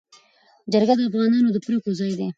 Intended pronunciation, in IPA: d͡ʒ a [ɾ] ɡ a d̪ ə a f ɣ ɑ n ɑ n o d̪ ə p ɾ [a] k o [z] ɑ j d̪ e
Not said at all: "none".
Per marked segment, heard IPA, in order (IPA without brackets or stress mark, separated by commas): ɾ, e, z